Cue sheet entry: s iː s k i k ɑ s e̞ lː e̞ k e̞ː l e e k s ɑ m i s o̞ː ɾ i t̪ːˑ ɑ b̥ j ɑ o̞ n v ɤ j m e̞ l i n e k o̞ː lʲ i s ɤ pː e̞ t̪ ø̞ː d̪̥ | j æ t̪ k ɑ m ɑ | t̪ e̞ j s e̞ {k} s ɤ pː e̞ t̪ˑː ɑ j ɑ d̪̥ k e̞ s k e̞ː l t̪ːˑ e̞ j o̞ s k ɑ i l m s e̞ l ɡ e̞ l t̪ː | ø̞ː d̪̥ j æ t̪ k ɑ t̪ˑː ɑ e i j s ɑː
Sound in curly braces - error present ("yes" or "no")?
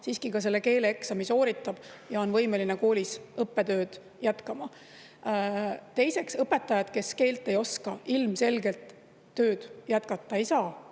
no